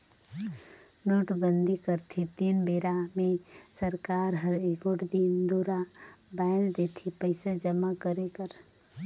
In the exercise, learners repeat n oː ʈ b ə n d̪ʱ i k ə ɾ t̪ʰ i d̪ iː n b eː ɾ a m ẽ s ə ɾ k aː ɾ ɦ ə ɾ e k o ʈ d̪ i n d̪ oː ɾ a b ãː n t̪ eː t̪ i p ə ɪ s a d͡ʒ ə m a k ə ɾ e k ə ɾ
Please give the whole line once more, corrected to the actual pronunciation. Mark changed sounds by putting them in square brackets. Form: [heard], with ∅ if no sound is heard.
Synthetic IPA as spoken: n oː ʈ b ə n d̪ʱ i k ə ɾ t̪ʰ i [t̪] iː n b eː ɾ a m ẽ s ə ɾ k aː ɾ ɦ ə ɾ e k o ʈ d̪ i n d̪ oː ɾ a b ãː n [d̪] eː [t̪ʰ] i p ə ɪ s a d͡ʒ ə m a k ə ɾ e k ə ɾ